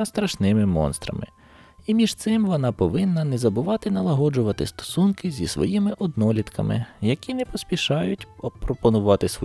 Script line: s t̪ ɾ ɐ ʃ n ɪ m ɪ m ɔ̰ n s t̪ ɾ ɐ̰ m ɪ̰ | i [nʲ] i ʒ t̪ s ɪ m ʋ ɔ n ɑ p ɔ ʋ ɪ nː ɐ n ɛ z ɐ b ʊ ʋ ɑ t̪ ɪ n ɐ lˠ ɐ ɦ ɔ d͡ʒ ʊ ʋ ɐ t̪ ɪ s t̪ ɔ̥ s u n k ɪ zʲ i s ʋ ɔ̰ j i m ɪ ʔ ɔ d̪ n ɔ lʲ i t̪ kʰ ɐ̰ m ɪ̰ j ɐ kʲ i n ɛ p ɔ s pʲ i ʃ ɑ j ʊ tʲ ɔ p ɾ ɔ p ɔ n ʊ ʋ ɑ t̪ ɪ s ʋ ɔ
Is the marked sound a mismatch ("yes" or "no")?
yes